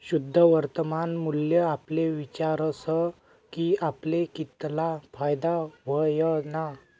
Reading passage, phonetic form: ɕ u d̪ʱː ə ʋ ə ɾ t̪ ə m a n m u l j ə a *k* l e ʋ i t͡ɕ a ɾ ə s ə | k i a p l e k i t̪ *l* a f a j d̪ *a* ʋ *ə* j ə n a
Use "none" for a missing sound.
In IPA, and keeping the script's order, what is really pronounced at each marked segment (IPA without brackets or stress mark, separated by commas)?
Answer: p, l, a, ə